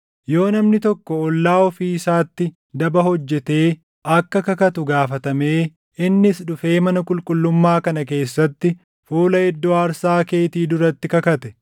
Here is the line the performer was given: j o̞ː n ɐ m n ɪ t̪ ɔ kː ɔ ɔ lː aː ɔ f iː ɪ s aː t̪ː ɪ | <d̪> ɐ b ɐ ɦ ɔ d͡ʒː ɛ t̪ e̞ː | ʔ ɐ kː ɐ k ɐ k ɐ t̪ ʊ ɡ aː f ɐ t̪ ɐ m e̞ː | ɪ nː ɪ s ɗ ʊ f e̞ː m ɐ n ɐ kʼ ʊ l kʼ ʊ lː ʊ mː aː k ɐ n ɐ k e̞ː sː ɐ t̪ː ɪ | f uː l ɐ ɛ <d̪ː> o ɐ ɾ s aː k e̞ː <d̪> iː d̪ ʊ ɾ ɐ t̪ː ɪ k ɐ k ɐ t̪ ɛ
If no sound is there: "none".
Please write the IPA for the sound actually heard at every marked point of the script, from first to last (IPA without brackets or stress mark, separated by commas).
d̪, d̪ː, t̪